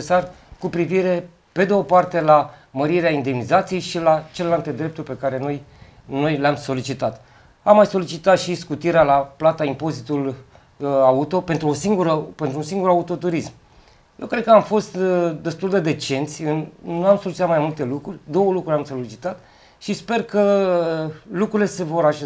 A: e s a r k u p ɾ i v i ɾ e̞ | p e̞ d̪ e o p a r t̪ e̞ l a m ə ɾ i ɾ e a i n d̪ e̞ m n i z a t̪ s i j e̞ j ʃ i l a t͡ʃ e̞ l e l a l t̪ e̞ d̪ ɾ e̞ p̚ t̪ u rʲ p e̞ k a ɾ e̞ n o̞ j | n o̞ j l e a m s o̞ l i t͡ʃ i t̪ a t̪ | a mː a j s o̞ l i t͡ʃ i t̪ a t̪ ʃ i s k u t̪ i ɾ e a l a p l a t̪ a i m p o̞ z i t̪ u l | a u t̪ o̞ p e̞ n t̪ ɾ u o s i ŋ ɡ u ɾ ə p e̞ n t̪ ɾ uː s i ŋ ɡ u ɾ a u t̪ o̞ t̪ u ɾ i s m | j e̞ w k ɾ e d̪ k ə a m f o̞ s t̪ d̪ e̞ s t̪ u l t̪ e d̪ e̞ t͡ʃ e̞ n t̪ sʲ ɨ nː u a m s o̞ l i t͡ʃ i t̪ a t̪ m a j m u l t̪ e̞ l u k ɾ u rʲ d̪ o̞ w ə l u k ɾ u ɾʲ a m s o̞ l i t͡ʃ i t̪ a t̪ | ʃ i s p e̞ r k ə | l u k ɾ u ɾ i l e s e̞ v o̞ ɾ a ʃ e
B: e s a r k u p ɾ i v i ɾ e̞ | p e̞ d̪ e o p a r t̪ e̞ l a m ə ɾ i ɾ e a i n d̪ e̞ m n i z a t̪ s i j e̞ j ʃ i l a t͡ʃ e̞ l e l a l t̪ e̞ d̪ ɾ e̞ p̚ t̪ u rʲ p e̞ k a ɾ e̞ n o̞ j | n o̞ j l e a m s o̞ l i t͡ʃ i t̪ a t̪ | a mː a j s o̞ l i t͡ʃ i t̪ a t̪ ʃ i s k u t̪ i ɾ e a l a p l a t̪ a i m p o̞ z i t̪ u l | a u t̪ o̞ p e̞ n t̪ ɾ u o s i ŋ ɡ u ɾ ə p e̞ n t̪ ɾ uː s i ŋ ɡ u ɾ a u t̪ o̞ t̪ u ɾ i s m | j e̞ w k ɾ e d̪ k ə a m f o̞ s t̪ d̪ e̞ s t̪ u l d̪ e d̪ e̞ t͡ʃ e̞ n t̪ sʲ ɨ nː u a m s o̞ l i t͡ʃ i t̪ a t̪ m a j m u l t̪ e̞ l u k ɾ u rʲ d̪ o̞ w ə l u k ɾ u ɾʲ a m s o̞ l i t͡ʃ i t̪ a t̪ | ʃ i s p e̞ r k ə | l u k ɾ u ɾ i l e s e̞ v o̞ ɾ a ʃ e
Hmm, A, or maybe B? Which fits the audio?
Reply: B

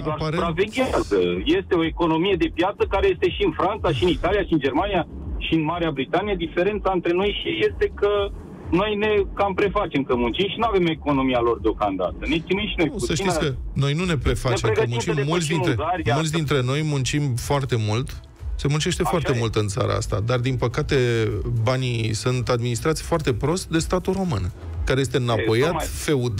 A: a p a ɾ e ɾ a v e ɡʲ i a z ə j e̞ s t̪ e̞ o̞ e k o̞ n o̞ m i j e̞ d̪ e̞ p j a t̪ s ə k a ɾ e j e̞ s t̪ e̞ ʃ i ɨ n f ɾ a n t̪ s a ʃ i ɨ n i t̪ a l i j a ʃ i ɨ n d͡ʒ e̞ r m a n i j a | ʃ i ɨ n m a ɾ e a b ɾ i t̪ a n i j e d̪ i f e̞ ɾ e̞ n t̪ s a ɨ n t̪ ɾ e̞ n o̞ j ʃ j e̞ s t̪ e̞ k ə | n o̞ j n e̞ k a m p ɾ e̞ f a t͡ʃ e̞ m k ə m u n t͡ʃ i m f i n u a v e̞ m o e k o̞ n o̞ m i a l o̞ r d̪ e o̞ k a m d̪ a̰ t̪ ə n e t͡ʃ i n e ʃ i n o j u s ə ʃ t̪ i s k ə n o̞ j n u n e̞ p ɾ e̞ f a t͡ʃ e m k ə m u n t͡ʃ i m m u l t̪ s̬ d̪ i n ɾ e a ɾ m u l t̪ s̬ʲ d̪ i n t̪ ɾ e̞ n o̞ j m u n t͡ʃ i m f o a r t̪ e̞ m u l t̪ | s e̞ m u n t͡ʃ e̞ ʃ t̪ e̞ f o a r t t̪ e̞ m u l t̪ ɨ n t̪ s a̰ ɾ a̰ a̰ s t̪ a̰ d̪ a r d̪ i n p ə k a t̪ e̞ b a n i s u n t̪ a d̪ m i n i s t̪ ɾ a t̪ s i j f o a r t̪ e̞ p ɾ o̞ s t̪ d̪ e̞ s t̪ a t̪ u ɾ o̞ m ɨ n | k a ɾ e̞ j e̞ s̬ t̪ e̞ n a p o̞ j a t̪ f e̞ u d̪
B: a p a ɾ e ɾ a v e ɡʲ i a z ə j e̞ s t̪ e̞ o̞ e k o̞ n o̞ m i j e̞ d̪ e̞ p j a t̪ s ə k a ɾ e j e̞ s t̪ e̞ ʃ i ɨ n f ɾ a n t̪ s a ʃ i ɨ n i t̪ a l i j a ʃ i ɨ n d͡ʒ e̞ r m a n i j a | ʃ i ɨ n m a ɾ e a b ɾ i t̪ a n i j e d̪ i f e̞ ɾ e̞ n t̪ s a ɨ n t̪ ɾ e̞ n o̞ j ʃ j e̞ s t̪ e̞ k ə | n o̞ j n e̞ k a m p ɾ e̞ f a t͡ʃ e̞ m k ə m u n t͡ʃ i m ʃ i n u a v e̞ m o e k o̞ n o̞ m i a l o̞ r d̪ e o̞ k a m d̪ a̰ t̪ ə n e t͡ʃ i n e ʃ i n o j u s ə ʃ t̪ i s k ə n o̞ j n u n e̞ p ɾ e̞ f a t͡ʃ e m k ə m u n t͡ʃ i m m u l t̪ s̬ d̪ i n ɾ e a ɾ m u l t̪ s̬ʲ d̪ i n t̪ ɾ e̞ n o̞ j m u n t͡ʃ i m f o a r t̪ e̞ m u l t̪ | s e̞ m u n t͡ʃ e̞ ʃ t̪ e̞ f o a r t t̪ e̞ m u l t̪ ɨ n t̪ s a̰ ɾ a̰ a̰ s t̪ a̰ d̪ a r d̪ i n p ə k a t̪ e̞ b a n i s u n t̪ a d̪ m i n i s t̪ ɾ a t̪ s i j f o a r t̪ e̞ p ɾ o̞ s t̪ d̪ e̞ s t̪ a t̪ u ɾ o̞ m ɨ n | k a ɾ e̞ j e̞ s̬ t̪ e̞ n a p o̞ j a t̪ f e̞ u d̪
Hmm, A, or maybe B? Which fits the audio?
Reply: B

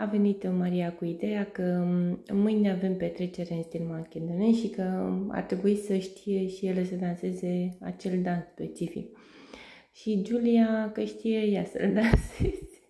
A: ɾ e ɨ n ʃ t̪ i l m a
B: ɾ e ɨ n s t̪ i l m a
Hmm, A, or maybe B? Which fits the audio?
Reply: B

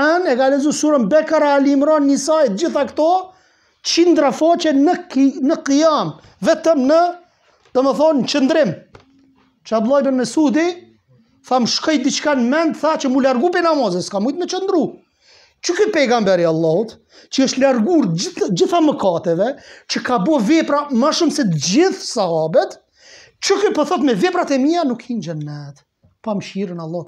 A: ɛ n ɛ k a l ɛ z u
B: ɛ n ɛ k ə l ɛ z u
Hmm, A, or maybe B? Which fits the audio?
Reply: A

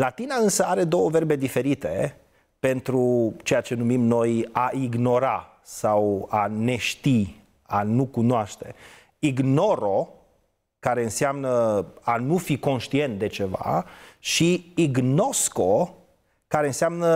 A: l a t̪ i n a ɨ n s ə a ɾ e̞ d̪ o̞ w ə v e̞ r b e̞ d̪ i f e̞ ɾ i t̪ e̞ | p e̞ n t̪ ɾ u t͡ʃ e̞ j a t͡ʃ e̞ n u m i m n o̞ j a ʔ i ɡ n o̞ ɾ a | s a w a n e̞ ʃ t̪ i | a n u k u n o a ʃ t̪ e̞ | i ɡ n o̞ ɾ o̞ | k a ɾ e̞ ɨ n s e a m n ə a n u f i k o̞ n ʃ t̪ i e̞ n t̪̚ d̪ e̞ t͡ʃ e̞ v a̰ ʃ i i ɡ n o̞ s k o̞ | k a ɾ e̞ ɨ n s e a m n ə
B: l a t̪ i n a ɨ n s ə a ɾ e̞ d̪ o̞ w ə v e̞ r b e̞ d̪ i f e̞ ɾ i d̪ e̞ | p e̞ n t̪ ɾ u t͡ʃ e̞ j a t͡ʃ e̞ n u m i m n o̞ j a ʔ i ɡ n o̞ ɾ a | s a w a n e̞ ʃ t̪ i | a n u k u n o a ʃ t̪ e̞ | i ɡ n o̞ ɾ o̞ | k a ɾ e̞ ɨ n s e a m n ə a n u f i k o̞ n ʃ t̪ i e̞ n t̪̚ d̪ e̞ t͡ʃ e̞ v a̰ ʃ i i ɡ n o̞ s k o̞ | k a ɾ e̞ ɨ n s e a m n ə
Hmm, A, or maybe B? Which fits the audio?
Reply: A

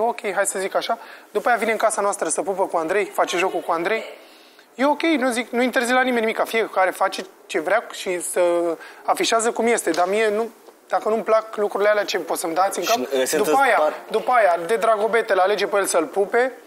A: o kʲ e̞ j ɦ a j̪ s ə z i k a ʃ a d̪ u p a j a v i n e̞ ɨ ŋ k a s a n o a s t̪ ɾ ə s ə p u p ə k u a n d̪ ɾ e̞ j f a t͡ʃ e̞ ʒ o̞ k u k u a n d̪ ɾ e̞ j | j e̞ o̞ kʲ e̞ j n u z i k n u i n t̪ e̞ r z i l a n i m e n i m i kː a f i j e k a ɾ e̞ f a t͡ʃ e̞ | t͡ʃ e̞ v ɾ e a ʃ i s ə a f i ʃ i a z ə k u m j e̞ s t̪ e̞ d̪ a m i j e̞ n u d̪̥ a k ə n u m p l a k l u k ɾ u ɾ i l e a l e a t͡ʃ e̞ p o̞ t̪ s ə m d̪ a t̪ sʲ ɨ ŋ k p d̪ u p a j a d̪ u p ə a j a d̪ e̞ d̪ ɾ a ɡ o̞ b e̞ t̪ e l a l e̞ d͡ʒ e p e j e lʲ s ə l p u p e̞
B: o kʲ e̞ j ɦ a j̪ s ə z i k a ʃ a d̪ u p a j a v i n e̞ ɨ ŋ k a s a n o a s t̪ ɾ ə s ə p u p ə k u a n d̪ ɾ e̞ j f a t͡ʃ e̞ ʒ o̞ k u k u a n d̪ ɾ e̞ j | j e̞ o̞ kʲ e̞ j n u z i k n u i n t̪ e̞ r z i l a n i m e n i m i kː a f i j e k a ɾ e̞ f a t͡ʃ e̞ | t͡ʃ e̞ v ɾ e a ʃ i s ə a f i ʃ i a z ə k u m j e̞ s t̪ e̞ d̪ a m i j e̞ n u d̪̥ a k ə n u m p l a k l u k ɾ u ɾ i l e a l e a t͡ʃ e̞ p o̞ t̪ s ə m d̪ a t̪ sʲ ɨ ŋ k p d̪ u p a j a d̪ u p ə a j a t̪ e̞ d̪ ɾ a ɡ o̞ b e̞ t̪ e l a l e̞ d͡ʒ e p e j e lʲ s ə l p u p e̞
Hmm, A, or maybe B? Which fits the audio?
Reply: A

